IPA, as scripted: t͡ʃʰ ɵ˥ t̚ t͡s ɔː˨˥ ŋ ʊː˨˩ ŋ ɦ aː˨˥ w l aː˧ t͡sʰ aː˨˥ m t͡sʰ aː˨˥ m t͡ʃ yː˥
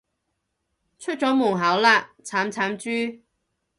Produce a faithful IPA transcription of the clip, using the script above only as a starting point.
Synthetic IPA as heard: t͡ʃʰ ɵ˥ t̚ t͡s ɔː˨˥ m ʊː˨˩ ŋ ɦ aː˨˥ w l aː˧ t͡sʰ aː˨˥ m t͡sʰ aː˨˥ m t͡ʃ yː˥